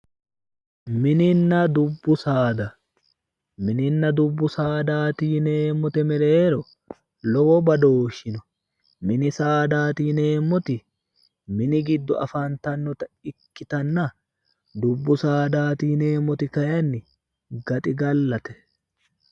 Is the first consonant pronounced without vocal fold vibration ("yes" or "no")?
no